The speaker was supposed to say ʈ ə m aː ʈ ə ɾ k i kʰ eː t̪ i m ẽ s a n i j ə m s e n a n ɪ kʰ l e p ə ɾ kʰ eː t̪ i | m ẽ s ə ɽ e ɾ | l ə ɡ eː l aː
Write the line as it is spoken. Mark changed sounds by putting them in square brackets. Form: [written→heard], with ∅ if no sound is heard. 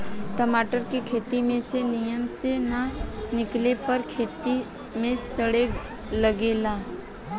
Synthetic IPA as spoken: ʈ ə m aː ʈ ə ɾ k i kʰ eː t̪ i m ẽ s [a→e] n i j ə m s e n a n ɪ [kʰ→k] l e p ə ɾ kʰ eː t̪ i | m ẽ s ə ɽ e [ɾ→∅] | l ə ɡ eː l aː